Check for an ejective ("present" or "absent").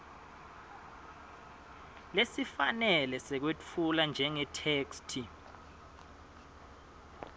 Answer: absent